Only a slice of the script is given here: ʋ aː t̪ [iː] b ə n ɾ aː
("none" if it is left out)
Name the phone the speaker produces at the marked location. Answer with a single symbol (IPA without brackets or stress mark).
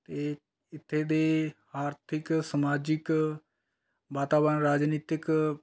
aː